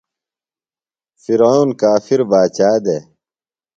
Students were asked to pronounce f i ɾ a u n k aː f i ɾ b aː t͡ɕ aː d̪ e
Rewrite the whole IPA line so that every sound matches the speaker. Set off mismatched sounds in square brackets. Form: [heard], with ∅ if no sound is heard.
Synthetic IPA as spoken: f i ɾ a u n k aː f i ɾ b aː t͡ɕ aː d̪ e